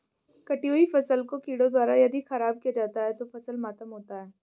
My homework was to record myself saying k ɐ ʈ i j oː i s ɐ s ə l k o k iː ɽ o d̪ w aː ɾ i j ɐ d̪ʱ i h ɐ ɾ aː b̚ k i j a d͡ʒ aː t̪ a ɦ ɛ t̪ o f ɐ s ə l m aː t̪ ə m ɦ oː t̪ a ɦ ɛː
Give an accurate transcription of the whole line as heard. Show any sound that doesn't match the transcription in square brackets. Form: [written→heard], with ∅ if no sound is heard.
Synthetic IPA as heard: k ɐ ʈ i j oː i [s→f] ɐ s ə l k o k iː ɽ o d̪ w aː ɾ [i→a] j ɐ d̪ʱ i [h→x] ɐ ɾ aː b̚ k i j a d͡ʒ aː t̪ a ɦ ɛ t̪ o f ɐ s ə l m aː t̪ ə m ɦ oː t̪ a ɦ ɛː